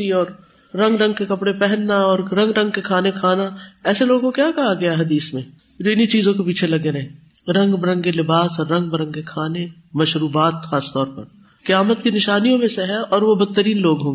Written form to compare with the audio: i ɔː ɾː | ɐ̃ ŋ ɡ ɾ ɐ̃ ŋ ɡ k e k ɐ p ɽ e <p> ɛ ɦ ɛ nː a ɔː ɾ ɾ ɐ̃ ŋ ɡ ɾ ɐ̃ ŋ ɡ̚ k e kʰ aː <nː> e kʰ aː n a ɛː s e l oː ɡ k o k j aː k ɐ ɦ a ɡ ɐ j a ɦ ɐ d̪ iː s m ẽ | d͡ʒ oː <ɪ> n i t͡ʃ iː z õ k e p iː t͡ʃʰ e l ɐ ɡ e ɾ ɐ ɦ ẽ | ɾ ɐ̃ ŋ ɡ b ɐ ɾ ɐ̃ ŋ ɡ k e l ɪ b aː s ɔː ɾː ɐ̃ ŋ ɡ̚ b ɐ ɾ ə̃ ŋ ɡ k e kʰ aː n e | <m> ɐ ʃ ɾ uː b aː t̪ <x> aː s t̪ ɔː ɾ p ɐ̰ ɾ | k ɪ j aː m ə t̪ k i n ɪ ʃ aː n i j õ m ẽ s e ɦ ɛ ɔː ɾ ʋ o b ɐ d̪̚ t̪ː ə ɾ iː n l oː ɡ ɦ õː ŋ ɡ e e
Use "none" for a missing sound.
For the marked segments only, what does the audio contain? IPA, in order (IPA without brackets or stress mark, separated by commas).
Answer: p, n, ɪ, m, x